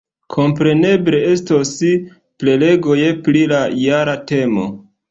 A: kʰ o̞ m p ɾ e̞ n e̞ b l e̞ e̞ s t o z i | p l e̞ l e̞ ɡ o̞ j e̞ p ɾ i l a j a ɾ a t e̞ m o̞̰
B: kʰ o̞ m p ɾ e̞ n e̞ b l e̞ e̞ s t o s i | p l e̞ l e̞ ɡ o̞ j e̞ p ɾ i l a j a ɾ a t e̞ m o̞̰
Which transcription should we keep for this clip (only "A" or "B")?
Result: B